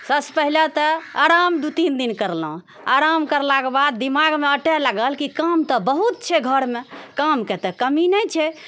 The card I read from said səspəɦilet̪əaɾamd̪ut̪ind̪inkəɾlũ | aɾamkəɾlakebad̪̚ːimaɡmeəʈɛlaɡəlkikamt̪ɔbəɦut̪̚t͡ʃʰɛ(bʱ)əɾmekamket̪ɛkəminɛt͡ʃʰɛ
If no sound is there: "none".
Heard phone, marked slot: ɡʱ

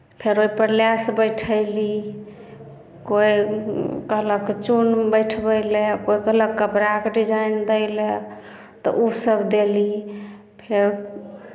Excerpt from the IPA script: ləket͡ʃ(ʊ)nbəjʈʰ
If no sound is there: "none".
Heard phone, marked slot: u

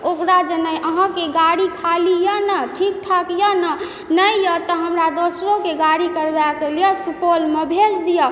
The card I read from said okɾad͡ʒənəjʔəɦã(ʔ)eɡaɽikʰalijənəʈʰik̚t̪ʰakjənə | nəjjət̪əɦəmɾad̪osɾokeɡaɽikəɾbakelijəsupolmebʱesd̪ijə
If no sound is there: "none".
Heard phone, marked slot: k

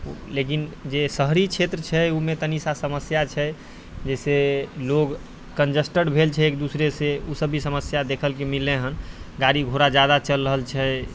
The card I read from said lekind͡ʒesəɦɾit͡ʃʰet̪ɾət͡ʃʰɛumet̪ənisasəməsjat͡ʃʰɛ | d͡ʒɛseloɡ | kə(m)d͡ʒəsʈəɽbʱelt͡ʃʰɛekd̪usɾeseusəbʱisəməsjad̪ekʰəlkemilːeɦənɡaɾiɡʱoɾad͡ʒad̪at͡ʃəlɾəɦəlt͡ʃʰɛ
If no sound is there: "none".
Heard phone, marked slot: n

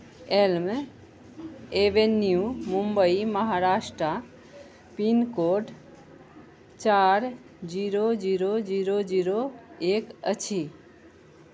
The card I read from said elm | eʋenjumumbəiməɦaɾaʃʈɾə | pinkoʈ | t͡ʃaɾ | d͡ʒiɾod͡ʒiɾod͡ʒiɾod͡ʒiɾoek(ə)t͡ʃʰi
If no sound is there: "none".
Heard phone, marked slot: ə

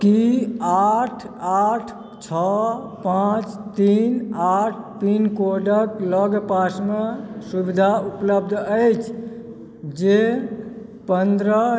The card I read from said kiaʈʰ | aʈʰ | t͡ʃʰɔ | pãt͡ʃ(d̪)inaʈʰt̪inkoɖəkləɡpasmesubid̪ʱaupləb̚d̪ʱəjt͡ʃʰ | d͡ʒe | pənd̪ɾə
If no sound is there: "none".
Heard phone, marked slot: t̪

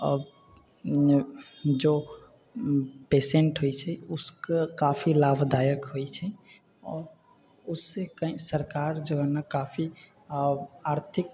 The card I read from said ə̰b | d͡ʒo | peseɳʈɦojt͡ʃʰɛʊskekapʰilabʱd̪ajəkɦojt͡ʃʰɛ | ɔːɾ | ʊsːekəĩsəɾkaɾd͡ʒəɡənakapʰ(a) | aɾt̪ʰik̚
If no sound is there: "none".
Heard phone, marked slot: i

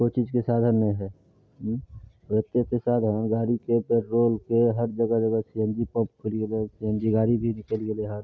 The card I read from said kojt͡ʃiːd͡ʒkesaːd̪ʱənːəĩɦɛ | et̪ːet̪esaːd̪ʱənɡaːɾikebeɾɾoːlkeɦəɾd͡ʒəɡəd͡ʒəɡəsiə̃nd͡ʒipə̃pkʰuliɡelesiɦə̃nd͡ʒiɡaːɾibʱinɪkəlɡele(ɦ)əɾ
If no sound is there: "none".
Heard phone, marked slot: ɦ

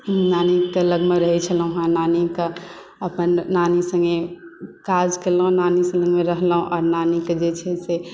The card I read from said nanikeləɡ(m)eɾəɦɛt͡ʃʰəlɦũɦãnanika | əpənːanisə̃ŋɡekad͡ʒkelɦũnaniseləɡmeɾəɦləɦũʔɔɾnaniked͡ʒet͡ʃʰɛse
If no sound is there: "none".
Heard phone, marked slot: m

